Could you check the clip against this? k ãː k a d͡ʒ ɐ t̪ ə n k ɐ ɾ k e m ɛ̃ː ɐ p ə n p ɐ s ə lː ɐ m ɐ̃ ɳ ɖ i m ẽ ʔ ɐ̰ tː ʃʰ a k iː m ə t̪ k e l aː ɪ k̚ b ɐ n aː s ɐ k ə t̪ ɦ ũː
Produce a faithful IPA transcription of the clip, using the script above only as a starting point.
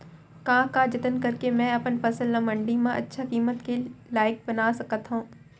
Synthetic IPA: k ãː k a d͡ʒ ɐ t̪ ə n k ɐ ɾ k e m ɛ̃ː ɐ p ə n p ɐ s ə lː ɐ m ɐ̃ ɳ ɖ i m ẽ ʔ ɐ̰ tː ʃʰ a k iː m ə t̪ k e l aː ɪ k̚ b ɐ n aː s ɐ k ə t̪ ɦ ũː